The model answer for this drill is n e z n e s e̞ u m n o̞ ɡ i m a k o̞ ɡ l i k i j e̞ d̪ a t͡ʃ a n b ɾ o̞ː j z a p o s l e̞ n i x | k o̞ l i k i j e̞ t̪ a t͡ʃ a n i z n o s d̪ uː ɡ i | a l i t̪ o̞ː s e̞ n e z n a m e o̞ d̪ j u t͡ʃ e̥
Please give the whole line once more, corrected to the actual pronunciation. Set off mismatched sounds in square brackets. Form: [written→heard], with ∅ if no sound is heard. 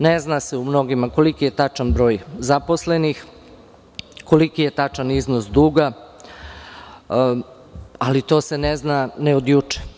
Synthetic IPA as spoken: n e z n [e→a] s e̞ u m n o̞ ɡ i m a k o̞ [ɡ→∅] l i k i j e̞ [d̪→t̪] a t͡ʃ a n b ɾ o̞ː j z a p o s l e̞ n i x | k o̞ l i k i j e̞ t̪ a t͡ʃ a n i z n o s d̪ uː ɡ [i→a] | a l i t̪ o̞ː s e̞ n e z n a [m→n] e o̞ d̪ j u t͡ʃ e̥